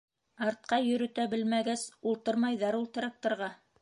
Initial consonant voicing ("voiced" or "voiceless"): voiced